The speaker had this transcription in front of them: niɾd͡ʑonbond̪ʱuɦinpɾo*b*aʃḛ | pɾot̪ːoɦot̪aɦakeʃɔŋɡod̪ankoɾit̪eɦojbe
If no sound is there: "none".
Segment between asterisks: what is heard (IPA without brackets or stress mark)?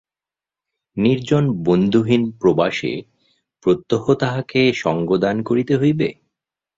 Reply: b